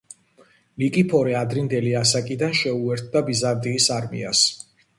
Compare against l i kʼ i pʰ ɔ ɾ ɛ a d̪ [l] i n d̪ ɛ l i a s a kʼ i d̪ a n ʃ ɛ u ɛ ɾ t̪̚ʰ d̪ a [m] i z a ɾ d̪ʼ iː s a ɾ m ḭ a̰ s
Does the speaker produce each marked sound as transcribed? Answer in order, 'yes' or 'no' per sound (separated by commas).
no, no